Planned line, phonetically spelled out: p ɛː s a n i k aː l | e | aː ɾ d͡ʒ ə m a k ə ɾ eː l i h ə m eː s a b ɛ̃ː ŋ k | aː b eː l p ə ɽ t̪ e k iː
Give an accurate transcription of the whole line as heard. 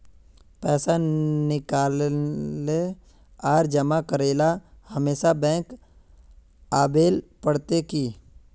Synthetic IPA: p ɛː s a n ɪ k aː l | e | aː ɾ d͡ʒ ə m a k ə ɾ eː l a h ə m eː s a b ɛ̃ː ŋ k | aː b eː l p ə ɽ t̪ e k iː